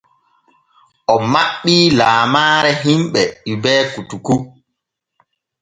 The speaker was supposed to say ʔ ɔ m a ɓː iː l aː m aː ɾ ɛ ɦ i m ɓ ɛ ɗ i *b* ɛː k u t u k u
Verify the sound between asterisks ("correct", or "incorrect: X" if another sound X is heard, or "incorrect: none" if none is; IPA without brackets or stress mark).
correct